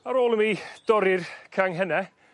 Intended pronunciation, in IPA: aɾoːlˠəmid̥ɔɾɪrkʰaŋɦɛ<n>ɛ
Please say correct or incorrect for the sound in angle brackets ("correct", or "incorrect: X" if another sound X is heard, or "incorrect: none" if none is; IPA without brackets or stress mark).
correct